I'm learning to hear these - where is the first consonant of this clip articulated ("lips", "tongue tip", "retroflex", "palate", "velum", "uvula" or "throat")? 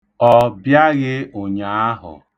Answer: lips